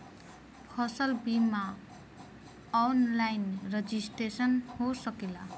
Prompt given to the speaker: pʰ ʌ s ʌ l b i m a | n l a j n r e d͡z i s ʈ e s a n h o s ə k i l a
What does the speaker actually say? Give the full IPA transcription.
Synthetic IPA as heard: kʰ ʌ s ʌ l b i m a | n l a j n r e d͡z i s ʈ e s ʌ n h o s ʌ k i l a